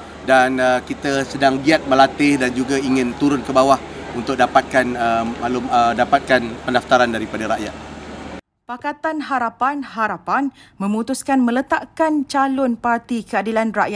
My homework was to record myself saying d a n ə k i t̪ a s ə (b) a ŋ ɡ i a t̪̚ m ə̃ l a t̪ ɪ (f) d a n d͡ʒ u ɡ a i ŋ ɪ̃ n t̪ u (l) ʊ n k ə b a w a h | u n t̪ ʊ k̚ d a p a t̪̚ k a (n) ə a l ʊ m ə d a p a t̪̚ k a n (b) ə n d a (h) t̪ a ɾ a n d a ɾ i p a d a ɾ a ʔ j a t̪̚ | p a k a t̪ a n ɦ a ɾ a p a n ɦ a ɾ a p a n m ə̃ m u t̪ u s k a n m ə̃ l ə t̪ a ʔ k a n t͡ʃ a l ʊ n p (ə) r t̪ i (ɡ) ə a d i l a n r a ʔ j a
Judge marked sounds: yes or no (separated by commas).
no, no, no, yes, no, no, no, no